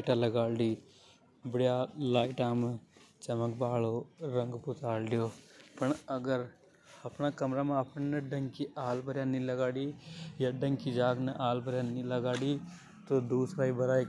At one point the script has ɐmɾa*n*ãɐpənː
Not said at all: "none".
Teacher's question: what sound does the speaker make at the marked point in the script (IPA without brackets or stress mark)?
m